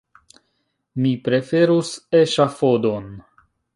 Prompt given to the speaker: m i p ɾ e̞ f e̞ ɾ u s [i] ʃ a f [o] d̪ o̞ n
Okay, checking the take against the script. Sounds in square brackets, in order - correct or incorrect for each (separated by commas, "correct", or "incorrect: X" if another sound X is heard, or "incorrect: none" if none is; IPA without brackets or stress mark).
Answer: incorrect: e, correct